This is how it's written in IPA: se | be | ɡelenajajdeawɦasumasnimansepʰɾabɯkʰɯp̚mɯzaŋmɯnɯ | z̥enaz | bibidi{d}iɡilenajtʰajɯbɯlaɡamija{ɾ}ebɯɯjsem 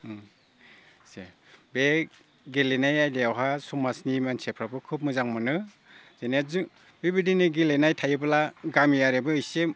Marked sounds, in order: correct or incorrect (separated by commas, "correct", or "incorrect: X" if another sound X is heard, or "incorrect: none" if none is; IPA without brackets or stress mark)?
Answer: incorrect: n, correct